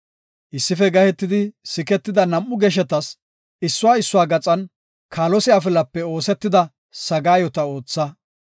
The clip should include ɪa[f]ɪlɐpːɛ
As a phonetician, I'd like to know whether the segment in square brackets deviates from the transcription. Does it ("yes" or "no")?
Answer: no